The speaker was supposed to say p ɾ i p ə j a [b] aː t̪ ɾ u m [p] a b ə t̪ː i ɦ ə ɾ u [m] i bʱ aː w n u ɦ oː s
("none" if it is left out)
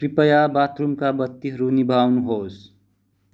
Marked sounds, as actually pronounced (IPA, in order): b, k, n

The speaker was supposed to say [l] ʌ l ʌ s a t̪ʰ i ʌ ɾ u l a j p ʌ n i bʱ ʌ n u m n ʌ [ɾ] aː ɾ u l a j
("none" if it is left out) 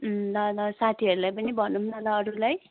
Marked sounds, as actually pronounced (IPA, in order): l, l

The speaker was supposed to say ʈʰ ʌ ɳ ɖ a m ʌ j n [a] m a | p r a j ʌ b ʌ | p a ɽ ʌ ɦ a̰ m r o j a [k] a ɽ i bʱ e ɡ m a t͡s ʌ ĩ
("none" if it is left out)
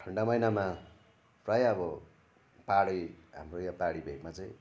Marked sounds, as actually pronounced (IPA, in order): a, p

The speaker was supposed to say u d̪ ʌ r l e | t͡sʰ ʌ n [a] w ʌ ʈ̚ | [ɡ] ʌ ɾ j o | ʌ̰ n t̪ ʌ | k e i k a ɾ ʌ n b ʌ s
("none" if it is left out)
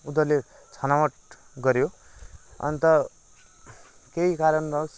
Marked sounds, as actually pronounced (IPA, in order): a, ɡ

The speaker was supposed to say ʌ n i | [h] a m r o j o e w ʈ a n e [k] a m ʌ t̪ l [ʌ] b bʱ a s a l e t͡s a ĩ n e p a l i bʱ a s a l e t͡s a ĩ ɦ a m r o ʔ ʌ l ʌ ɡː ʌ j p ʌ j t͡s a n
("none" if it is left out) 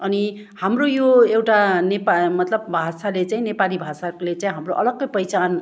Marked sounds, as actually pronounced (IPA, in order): h, p, ʌ

